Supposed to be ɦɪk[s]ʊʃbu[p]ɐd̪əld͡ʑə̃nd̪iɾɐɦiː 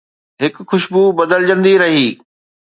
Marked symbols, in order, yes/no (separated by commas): no, no